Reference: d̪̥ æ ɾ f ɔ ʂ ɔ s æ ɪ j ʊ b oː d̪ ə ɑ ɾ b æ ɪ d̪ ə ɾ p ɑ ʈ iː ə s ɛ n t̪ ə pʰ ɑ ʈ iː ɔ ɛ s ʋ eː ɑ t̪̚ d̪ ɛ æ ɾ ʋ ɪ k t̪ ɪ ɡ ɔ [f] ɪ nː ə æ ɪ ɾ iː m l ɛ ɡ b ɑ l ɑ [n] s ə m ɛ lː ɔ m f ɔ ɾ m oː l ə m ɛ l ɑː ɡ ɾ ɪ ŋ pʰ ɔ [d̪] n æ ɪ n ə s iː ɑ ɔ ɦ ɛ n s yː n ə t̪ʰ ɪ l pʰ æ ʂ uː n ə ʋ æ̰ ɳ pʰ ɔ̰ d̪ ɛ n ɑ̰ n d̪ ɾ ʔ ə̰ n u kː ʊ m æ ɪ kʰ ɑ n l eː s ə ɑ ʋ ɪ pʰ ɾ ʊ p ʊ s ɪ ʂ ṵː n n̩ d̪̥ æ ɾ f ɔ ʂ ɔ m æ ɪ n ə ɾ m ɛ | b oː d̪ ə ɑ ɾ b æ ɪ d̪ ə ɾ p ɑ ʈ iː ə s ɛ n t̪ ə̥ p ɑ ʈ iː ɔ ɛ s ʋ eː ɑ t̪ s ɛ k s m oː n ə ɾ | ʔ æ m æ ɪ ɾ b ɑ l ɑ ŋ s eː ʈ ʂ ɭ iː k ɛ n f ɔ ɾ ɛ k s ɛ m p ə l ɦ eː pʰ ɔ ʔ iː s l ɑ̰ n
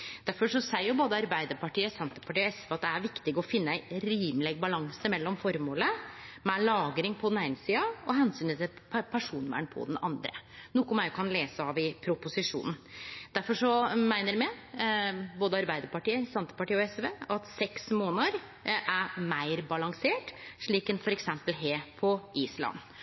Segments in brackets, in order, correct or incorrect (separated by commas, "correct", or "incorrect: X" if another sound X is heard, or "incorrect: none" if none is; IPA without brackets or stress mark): correct, incorrect: ŋ, correct